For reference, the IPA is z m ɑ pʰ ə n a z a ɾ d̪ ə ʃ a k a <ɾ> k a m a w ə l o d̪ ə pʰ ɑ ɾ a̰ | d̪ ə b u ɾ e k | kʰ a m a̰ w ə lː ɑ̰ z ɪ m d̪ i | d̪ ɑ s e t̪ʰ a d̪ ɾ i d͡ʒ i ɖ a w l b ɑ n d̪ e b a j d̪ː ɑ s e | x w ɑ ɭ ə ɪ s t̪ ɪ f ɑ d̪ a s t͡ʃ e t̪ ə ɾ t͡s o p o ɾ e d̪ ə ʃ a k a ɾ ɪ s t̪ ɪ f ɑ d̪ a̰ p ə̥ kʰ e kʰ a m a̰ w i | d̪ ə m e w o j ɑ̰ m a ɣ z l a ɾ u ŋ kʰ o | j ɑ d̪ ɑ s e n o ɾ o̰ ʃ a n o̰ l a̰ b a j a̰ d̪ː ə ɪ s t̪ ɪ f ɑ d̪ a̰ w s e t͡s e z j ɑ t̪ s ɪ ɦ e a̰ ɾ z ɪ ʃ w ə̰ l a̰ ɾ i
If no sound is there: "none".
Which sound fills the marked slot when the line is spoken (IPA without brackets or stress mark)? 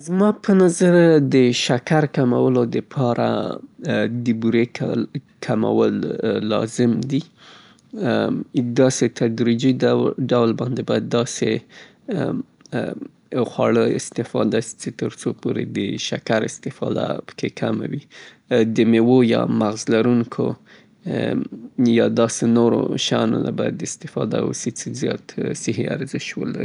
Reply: ɾ